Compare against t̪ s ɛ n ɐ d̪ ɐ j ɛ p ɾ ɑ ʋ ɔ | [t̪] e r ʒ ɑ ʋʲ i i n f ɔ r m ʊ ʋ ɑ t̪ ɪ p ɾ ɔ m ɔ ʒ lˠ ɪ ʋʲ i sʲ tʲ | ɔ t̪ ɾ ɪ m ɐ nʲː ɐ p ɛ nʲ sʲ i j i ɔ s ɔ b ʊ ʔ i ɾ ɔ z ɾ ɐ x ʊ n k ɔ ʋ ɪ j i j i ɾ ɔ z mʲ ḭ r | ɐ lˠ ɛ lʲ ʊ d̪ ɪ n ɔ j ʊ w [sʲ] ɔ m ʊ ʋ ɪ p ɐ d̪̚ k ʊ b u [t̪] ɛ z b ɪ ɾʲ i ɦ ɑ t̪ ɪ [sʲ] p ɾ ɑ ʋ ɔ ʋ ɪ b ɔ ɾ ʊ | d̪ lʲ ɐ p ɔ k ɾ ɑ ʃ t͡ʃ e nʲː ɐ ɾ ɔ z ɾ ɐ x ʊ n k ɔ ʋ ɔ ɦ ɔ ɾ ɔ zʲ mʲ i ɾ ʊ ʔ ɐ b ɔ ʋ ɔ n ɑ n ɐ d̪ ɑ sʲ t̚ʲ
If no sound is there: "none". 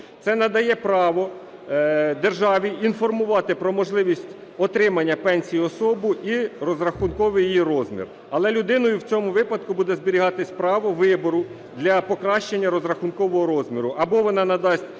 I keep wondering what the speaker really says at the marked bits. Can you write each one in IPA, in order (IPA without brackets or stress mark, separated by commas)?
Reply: d̪, t͡sʲ, d̪, sʲ